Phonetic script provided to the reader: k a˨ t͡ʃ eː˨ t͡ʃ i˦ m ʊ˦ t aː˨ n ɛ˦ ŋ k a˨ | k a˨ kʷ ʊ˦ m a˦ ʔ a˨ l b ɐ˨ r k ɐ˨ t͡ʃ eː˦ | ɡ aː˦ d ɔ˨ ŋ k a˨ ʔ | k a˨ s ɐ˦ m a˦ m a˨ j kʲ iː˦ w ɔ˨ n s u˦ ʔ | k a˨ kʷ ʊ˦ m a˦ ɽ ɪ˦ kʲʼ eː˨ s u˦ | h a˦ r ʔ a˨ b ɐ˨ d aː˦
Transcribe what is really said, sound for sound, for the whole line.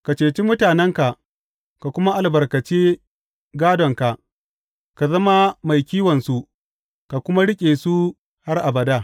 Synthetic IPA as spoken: k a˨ t͡ʃ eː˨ t͡ʃ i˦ m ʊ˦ t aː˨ n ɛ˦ ŋ k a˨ | k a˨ kʷ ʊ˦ m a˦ ʔ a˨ l b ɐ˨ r k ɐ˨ t͡ʃ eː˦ | ɡ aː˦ d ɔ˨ ŋ k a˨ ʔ | k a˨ z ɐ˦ m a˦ m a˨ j kʲ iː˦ w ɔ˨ n s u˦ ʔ | k a˨ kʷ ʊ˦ m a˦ ɽ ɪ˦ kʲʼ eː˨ s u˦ | h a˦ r ʔ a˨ b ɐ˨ d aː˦

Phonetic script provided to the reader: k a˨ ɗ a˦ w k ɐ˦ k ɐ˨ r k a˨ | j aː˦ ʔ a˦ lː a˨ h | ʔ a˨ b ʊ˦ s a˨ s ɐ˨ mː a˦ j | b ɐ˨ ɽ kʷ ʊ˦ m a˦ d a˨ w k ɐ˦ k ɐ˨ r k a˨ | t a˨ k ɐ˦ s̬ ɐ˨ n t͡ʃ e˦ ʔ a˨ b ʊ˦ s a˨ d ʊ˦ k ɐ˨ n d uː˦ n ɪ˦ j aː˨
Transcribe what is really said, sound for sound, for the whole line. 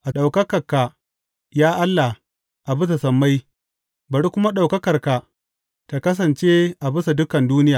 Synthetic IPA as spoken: ʔ a˨ ɗ a˨ w k ɐ˦ k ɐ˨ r k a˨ | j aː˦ ʔ a˦ lː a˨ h | ʔ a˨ b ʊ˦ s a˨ s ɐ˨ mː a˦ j | b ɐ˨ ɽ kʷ ʊ˦ m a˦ ɗ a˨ w k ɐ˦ k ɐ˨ r k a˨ | t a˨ k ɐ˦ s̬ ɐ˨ n t͡ʃ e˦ ʔ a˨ b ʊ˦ s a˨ d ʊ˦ k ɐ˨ n d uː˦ n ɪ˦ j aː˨

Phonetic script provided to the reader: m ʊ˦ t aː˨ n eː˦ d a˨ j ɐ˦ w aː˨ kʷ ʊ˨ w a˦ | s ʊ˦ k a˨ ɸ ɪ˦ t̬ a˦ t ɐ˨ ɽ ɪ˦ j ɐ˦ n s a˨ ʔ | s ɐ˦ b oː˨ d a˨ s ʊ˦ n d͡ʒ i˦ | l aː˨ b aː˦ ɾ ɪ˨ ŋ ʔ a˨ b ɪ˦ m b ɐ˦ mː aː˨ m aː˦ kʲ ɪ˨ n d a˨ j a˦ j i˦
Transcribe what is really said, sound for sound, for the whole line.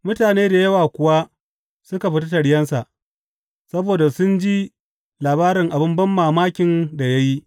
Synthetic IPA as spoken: m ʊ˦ t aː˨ n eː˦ d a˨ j ɐ˦ w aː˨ kʷ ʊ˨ w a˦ | s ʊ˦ k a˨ ɸ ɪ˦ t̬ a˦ t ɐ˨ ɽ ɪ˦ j ɐ˦ n s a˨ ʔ | s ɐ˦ b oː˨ d a˨ s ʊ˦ n d͡ʒ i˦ | l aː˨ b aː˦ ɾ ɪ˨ ŋ ʔ a˨ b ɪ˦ m b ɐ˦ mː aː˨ m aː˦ kʲ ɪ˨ n d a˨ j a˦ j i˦

